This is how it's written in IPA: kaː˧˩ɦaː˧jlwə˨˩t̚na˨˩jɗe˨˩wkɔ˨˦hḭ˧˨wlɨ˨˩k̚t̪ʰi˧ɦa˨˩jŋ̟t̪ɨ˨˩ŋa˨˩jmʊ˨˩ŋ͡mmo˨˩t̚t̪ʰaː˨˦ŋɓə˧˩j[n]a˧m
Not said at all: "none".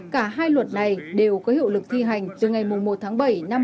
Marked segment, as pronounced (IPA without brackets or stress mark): n